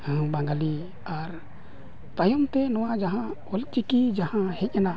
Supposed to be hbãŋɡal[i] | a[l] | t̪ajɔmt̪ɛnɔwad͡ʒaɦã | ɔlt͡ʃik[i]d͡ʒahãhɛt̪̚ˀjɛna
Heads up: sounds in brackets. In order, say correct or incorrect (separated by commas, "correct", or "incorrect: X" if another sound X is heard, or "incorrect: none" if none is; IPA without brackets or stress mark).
correct, incorrect: ɾ, correct